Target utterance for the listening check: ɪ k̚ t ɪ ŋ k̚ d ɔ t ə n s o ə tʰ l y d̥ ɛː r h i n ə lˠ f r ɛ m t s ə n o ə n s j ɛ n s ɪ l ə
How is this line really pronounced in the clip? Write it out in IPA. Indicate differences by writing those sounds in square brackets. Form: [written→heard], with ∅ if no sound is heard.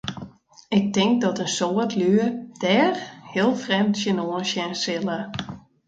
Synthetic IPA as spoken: ɪ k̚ t ɪ ŋ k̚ d ɔ t ə n s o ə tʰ l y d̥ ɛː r h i [n→∅] ə lˠ f r ɛ m t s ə n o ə n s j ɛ n s ɪ l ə